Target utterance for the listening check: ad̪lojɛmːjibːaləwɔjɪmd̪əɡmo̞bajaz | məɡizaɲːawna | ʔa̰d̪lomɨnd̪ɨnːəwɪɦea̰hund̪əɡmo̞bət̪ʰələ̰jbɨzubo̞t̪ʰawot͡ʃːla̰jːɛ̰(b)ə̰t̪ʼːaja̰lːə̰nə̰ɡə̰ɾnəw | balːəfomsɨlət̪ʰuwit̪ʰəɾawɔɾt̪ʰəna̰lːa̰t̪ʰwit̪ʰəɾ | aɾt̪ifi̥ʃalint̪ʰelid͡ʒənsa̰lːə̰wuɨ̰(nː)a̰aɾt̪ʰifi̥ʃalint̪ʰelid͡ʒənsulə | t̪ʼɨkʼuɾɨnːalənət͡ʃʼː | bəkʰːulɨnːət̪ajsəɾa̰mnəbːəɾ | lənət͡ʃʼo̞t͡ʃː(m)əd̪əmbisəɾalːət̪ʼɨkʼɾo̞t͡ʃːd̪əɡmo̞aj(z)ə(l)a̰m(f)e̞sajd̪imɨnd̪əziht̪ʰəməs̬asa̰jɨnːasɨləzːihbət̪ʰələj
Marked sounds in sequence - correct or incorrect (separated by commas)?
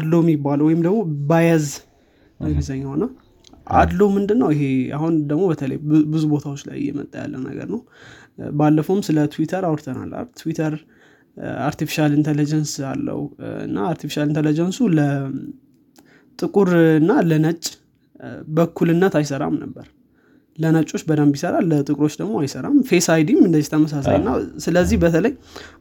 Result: incorrect, correct, incorrect, incorrect, incorrect, correct